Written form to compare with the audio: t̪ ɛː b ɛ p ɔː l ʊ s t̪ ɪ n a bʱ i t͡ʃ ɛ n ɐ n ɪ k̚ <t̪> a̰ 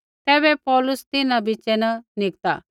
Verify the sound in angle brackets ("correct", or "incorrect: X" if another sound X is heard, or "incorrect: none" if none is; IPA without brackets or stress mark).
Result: correct